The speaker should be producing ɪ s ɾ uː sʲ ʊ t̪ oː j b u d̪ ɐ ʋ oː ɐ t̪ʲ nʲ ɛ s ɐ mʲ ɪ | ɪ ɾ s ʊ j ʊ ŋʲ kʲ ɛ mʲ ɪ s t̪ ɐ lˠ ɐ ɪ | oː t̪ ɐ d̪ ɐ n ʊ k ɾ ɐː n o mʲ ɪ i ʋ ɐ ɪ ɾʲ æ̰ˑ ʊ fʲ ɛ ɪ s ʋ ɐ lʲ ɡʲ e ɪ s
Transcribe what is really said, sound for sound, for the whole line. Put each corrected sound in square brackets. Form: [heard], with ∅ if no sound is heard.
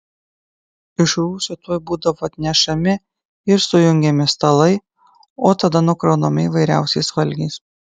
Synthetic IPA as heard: ɪ [ʃ] ɾ uː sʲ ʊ t̪ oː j b [uː] d̪ ɐ ʋ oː ɐ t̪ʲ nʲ ɛ [ʃ] ɐ mʲ ɪ | ɪ ɾ s ʊ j ʊ ŋʲ [ɡʲ] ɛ mʲ ɪ s t̪ ɐ lˠ ɐ ɪ | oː t̪ ɐ d̪ ɐ n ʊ k ɾ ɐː n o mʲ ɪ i ʋ ɐ ɪ ɾʲ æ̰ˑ ʊ [sʲ] ɛ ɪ s ʋ ɐ lʲ ɡʲ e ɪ s